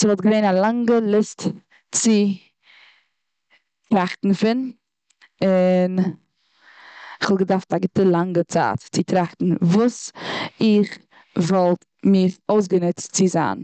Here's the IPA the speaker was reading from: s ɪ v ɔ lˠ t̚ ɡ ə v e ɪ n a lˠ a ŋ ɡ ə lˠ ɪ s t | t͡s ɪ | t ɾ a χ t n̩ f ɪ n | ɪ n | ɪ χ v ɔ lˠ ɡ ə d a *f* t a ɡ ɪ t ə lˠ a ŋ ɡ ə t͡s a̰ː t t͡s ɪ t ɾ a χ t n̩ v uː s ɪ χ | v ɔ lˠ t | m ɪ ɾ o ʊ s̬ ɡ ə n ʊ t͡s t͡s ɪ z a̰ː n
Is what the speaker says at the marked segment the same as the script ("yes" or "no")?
yes